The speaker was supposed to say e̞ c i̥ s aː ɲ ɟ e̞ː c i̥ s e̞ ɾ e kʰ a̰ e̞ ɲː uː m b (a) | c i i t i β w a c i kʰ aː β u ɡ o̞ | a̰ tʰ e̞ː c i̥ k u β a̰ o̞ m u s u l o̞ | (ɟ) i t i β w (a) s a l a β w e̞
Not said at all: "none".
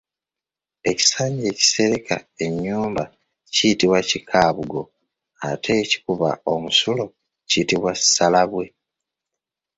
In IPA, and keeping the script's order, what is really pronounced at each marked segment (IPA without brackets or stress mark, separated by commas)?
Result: a, c, a